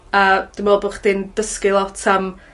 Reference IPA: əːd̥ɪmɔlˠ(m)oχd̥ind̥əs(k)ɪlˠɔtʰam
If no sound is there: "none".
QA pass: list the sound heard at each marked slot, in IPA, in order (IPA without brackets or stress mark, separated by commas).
b, k